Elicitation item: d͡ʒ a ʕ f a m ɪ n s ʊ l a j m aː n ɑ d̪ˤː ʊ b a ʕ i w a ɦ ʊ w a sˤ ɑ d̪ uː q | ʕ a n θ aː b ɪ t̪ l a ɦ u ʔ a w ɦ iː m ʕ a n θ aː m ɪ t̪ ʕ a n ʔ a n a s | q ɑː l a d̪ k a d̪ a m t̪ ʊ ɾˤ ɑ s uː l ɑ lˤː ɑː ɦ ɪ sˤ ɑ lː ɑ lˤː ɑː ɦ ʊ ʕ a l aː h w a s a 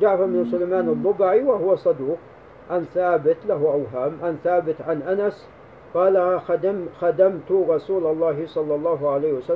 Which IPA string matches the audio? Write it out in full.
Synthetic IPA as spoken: d͡ʒ a ʕ f a m ɪ n s ʊ l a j m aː n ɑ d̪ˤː ʊ b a ʕ i w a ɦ ʊ w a sˤ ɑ d̪ uː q | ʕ a n θ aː b ɪ t̪ l a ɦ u ʔ a w ɦ aː m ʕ a n θ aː b ɪ t̪ ʕ a n ʔ a n a s | q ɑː l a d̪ x a d̪ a m t̪ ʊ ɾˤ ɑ s uː l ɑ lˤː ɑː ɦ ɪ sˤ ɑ lː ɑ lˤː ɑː ɦ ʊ ʕ a l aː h w a s a